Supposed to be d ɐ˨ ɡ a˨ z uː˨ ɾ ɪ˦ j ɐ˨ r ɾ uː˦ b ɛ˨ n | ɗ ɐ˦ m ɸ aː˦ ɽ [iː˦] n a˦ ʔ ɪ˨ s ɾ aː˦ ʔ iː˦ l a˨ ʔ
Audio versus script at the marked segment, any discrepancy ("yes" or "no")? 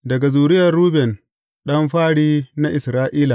no